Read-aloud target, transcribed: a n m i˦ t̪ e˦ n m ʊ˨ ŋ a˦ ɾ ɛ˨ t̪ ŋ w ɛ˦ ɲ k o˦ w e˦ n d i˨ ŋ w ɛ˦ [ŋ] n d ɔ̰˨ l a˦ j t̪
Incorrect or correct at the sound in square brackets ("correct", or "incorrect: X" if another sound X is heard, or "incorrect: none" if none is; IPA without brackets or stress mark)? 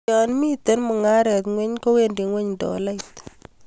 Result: incorrect: ɲ